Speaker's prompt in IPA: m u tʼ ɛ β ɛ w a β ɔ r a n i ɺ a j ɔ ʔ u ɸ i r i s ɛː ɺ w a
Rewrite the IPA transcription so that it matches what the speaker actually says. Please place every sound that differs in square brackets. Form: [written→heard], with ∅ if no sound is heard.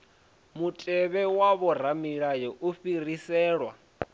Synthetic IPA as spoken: m u tʼ ɛ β ɛ w a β ɔ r a [n→m] i ɺ a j ɔ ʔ u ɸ i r i s ɛː ɺ w a